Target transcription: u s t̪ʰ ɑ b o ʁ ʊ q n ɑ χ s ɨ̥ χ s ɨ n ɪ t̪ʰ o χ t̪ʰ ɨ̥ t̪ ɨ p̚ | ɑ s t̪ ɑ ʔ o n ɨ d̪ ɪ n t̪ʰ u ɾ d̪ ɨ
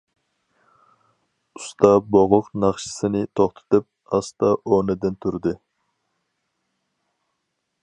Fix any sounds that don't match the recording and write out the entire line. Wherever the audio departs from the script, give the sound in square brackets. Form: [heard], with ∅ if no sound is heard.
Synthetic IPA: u s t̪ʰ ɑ b o ʁ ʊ q n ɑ χ [ʃ] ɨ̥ [∅] s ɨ n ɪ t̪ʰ o χ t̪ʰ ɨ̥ t̪ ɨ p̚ | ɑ s t̪ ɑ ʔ o n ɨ d̪ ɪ n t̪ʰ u ɾ d̪ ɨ